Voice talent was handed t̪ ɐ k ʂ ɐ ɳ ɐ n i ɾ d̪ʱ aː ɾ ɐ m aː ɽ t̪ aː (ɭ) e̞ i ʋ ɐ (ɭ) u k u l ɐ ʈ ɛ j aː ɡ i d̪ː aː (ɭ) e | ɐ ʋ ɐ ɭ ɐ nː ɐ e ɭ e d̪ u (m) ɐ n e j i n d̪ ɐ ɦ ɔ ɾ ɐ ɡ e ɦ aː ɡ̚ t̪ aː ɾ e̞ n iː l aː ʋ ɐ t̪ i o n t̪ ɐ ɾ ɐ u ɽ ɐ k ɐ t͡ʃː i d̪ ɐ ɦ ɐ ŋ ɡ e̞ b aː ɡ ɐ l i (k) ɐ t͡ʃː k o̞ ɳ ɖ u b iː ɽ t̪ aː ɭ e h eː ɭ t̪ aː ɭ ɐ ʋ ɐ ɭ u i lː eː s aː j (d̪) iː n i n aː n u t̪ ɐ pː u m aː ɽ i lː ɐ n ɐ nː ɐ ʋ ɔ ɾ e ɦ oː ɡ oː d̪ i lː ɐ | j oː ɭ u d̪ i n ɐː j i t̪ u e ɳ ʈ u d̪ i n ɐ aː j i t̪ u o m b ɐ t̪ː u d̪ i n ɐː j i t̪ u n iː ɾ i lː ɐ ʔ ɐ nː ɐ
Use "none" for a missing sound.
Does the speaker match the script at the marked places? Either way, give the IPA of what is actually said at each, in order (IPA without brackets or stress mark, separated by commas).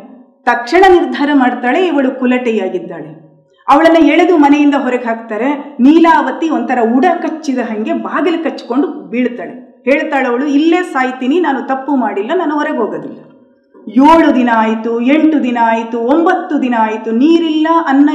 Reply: ɭ, ɭ, ɭ, m, k, t̪